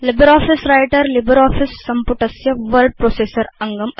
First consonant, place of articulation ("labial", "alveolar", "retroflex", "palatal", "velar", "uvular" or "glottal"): alveolar